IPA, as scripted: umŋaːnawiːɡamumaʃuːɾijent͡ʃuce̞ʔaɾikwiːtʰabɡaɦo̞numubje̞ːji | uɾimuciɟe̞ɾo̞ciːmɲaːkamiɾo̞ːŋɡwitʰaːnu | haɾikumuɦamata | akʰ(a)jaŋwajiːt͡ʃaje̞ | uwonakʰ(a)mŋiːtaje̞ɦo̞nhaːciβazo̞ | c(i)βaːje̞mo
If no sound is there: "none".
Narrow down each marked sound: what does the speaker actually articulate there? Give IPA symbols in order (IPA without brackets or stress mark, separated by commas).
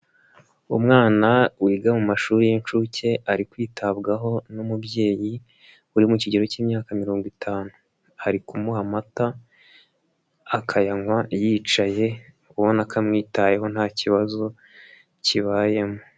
a, a, i